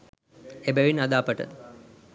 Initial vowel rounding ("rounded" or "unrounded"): unrounded